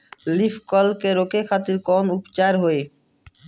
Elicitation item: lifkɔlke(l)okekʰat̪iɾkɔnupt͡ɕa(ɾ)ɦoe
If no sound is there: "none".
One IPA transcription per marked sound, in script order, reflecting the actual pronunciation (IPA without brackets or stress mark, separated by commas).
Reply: ɾ, ɾ